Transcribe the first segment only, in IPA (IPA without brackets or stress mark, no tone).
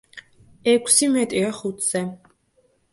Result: ɛ